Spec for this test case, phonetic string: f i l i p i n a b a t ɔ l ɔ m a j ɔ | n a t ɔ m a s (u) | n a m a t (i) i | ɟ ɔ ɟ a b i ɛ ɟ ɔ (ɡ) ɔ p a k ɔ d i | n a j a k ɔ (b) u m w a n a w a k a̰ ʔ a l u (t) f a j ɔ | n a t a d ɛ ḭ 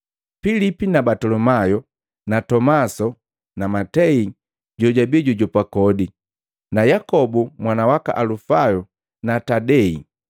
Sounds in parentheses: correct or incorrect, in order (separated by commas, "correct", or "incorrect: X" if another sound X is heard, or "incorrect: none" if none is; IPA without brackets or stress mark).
incorrect: ɔ, incorrect: ɛ, incorrect: ɟ, correct, incorrect: none